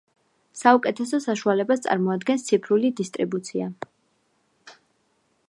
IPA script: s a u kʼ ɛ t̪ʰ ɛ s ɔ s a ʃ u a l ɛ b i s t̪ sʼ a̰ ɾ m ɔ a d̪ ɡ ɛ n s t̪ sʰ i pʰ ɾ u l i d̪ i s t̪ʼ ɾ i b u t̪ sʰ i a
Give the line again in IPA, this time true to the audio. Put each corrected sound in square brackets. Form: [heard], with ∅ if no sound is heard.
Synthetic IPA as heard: s a u kʼ ɛ t̪ʰ ɛ s ɔ s a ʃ u a l ɛ b [a] s t̪ sʼ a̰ ɾ m ɔ a d̪ ɡ ɛ n s t̪ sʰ i pʰ ɾ u l i d̪ i s t̪ʼ ɾ i b u t̪ sʰ i a